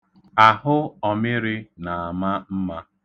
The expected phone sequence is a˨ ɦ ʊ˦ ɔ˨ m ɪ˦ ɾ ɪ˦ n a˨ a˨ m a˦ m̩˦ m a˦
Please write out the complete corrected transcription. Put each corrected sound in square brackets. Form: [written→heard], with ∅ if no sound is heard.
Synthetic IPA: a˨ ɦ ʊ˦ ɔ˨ m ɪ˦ ɾ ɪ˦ n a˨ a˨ m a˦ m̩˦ m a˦